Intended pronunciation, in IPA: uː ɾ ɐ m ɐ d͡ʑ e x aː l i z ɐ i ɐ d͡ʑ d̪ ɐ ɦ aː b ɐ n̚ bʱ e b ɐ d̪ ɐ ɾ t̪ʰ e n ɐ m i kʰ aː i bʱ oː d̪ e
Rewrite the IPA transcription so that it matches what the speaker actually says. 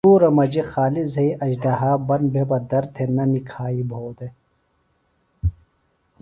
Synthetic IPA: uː ɾ ɐ m ɐ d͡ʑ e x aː l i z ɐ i ɐ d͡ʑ d̪ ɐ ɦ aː b ɐ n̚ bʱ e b ɐ d̪ ɐ ɾ t̪ʰ e n ɐ n i kʰ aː i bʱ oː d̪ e